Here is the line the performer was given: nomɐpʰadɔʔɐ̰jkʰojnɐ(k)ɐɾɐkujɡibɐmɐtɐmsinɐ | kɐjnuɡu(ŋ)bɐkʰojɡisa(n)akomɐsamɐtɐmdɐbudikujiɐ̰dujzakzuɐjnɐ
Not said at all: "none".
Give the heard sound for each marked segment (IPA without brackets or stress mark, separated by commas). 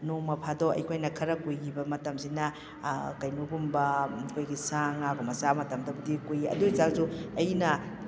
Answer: kʰ, m, ŋ